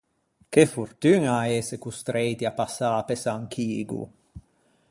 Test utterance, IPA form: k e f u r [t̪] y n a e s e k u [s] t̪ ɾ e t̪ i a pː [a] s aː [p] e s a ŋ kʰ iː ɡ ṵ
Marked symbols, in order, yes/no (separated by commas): yes, yes, yes, yes